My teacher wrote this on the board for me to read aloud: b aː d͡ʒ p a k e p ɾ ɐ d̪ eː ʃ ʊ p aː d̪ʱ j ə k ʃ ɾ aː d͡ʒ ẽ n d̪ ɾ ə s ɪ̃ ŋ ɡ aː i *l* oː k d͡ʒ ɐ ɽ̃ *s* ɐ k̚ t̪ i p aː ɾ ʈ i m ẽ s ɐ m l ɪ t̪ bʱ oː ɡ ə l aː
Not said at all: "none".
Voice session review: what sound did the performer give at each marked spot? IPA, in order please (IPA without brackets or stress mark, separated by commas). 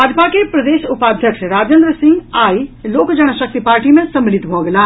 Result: l, ʃ